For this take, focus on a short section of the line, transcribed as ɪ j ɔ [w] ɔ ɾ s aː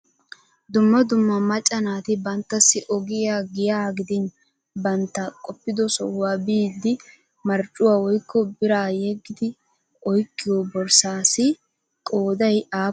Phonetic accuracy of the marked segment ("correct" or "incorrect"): incorrect